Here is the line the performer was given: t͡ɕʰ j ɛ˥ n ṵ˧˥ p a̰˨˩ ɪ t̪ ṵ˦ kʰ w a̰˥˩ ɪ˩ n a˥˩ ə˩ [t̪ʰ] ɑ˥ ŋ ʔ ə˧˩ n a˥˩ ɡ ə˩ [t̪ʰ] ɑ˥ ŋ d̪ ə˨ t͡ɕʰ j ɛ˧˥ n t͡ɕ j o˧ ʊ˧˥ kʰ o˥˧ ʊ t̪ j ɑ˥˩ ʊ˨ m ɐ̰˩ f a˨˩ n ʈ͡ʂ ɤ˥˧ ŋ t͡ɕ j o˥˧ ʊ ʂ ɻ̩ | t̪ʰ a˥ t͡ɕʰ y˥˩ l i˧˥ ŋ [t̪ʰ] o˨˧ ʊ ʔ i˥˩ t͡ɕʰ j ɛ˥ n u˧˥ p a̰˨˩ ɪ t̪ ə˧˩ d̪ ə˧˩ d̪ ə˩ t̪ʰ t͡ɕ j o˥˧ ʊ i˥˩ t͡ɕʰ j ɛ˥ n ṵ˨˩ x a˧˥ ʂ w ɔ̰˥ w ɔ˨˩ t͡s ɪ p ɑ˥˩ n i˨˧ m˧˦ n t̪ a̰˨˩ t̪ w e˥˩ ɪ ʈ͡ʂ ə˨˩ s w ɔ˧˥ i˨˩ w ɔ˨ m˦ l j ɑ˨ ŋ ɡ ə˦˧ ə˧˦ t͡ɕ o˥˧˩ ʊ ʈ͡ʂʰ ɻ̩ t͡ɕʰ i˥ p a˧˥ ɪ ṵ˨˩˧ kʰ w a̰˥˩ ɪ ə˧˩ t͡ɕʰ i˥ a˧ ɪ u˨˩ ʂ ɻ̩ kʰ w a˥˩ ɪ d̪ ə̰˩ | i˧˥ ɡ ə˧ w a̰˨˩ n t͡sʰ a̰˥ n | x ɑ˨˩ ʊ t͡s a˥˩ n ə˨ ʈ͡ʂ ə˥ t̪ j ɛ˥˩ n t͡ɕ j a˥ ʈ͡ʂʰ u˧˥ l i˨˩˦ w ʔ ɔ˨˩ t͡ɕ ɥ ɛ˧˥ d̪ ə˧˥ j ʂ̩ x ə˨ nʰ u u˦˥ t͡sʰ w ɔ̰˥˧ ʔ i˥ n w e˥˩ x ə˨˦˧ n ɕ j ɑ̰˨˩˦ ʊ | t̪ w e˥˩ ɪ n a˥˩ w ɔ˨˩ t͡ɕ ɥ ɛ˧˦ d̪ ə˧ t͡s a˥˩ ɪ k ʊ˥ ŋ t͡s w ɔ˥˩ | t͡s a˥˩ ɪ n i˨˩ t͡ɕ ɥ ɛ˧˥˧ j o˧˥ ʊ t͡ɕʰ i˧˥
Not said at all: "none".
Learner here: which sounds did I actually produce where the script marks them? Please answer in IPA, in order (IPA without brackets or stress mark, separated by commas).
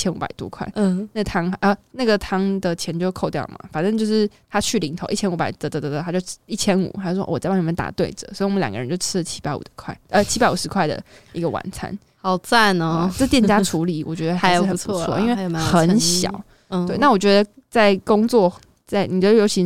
t̪ʰ, t̪ʰ, t̪ʰ